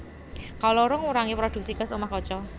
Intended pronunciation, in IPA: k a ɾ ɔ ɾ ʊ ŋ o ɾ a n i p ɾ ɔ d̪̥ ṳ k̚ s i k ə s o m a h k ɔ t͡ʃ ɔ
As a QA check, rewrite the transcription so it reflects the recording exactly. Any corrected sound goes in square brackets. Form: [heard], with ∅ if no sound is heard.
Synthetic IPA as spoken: k a [l] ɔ ɾ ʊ ŋ [u] ɾ a [ŋ] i p ɾ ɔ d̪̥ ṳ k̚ s i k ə s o m a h k ɔ t͡ʃ ɔ